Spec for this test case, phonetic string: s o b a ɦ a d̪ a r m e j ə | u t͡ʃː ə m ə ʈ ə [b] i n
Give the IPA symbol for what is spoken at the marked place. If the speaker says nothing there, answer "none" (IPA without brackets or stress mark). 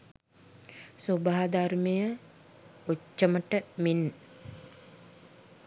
m